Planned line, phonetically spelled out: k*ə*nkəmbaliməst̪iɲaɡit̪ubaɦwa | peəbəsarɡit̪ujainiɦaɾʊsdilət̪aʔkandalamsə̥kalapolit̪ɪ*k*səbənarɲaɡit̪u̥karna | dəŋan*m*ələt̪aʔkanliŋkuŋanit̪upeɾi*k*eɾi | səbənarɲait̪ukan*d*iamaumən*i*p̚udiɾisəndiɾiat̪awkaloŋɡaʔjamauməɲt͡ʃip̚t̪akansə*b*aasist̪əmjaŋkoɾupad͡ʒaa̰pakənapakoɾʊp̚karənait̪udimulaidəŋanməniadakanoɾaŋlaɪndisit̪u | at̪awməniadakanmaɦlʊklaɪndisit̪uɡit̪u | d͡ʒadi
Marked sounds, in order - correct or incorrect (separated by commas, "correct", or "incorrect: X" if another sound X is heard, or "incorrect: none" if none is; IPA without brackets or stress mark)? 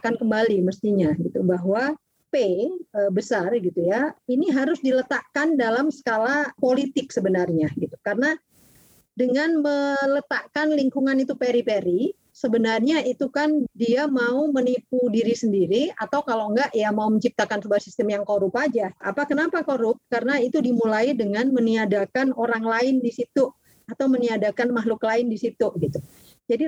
incorrect: a, correct, correct, incorrect: p, correct, correct, correct